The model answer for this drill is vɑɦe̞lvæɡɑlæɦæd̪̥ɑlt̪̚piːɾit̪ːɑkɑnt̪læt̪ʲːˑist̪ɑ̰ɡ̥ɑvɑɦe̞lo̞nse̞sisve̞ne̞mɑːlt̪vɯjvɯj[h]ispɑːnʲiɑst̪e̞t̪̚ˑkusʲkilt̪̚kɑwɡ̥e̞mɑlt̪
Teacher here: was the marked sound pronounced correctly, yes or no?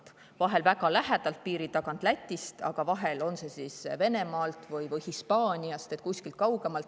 yes